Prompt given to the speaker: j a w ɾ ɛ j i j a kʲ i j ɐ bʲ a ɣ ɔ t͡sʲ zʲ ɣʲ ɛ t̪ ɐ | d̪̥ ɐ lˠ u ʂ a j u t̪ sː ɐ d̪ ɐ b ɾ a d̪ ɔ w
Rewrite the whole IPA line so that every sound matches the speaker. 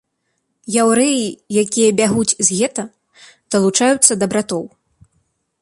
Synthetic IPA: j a w ɾ ɛ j i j a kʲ i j ɐ bʲ a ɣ u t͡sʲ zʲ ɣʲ ɛ t̪ ɐ | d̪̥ ɐ lˠ u t͡ʂ a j u t̪ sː ɐ d̪ ɐ b ɾ a t̪ ɔ w